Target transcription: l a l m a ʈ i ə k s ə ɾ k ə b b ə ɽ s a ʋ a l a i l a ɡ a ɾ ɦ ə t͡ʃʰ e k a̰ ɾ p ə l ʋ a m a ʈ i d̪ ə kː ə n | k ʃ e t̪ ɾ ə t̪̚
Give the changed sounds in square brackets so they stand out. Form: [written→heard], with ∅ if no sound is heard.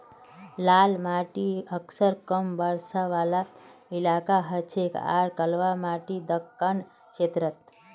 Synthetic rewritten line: l a l m a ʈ i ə k s ə ɾ k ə [b→m] b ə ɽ s a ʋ a l a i l a [ɡ→k] a [ɾ→∅] ɦ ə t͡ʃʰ e k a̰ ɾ [p→k] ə l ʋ a m a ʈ i d̪ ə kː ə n | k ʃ e t̪ ɾ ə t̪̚